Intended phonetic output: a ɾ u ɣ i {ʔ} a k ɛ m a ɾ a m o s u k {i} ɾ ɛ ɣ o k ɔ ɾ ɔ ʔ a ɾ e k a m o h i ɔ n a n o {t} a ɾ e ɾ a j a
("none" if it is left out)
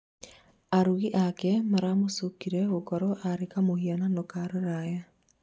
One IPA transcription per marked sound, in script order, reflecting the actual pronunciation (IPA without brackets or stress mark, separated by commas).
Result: ʔ, i, k